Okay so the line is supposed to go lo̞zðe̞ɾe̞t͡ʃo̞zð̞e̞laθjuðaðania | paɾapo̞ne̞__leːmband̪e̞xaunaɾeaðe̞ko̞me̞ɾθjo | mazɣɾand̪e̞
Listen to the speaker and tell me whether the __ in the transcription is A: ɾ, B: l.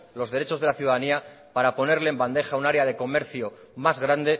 A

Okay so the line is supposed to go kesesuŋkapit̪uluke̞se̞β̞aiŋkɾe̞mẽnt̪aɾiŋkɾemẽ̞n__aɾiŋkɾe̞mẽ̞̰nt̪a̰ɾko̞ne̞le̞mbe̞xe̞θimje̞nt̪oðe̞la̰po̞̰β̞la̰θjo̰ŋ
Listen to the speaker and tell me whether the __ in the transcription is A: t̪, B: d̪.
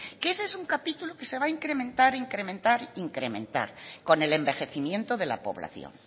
A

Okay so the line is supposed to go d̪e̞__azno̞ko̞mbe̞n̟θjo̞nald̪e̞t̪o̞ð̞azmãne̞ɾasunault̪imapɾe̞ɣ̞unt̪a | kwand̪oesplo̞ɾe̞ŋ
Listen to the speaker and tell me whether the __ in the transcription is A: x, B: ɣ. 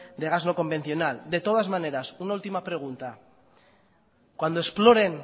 B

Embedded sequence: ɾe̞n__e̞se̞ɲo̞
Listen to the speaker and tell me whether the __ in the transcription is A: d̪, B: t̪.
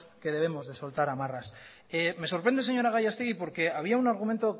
A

